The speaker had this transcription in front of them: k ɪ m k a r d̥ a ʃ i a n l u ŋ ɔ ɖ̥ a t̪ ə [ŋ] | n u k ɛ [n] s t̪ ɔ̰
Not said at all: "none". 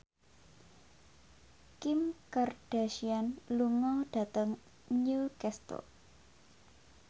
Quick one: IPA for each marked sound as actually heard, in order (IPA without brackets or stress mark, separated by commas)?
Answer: ŋ, none